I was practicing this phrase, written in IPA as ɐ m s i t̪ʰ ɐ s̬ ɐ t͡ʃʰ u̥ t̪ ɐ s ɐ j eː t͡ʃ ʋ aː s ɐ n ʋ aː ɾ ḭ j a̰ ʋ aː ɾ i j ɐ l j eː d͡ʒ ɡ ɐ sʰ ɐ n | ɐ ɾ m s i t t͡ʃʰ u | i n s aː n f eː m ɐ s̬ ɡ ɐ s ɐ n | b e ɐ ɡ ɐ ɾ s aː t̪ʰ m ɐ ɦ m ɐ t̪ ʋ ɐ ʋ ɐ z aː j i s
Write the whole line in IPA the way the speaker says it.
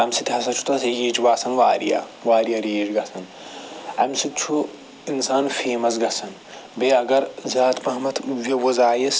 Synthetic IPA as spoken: ɐ m s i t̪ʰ ɐ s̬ ɐ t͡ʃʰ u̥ t̪ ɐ s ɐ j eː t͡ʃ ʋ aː s ɐ n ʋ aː ɾ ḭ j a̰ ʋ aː ɾ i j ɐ ɾ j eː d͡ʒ ɡ ɐ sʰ ɐ n | ɐ m s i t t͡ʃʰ u | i n s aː n f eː m ɐ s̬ ɡ ɐ s ɐ n | b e ɐ ɡ ɐ ɾ z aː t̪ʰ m ɐ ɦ m ɐ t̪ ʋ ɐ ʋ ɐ z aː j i s